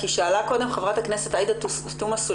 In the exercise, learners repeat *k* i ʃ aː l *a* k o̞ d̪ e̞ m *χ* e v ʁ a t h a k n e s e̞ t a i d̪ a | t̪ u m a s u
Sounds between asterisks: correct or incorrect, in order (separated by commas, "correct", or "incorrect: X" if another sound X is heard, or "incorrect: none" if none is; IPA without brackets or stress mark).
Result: correct, correct, correct